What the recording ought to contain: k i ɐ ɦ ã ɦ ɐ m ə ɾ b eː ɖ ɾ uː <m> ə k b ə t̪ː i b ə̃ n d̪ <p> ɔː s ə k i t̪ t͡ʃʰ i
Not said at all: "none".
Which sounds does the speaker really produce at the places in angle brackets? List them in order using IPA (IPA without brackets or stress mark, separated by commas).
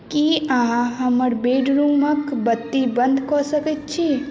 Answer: m, k